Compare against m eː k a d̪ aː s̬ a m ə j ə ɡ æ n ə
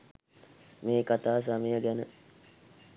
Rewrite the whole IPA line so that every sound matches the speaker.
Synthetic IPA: m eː k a t̪ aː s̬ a m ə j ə ɡ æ n ə